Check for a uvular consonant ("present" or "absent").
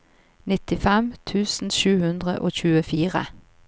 present